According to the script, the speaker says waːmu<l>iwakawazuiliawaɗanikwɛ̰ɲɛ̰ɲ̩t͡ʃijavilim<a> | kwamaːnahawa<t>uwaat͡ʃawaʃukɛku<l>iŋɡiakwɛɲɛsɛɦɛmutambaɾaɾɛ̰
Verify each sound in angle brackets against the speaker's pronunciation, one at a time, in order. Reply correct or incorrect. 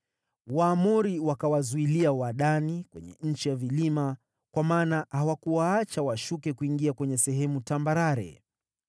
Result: incorrect: ɾ, correct, incorrect: k, incorrect: none

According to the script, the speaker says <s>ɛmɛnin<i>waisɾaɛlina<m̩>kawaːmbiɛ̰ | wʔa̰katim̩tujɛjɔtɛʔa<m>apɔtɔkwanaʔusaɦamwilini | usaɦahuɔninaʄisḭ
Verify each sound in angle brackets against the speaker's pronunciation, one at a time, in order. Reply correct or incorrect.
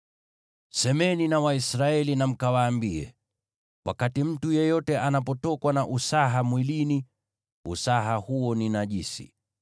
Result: correct, incorrect: a, correct, incorrect: n

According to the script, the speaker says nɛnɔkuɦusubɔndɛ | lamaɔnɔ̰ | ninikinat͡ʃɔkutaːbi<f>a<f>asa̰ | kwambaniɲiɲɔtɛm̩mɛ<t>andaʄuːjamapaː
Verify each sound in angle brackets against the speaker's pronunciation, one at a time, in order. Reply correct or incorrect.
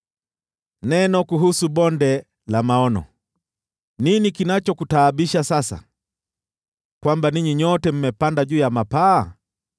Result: incorrect: ʃ, incorrect: s, incorrect: p

